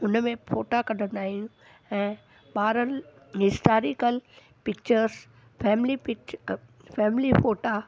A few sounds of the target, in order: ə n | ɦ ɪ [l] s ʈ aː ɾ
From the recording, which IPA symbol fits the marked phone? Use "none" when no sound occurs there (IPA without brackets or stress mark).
none